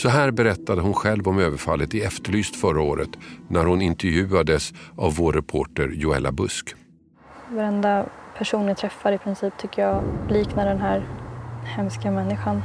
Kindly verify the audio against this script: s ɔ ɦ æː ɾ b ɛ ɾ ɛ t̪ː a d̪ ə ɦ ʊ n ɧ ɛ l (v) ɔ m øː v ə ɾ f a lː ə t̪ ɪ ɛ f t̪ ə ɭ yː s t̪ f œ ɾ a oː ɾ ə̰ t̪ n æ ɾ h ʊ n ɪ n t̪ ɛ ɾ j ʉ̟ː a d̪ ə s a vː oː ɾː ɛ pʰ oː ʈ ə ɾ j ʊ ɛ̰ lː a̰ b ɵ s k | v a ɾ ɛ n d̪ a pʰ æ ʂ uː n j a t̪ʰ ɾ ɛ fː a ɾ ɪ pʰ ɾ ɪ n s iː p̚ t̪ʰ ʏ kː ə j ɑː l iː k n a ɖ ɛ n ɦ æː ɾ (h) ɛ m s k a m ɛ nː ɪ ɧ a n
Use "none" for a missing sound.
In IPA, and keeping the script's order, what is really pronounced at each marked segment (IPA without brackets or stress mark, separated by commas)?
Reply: v, h